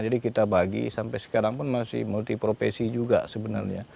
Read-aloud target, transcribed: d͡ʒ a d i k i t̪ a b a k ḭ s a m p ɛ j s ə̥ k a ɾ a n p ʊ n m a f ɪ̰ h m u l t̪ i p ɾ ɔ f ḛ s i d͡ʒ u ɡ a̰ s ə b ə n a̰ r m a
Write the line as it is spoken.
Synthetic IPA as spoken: d͡ʒ a d i k i t̪ a b a ɡ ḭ s a m p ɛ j s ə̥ k a ɾ a ŋ p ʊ n m a s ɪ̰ h m u l t̪ i p ɾ o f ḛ s i d͡ʒ u ɡ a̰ s ə b ə n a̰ r ɲ a